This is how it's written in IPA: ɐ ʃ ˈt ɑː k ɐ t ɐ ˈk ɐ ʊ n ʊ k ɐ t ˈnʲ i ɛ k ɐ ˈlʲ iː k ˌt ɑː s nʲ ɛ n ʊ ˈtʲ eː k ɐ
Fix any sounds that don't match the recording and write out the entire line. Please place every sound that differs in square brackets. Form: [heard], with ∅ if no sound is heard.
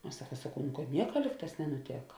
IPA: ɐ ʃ [ˈs] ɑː k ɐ [s] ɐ ˈk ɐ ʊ n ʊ k ɐ t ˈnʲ i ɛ k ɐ ˈlʲ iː k ˌt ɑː s nʲ ɛ n ʊ ˈtʲ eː k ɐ